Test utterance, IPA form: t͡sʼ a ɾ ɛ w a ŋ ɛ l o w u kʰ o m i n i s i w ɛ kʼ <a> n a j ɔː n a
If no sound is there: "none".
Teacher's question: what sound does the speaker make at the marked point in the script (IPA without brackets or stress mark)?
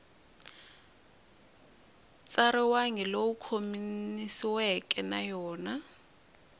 ɛ